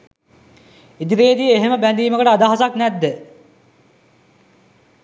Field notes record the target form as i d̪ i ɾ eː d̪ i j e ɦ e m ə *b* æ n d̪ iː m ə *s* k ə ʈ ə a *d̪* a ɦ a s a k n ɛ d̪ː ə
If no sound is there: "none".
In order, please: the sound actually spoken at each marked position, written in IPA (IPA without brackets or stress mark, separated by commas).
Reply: b, none, d̪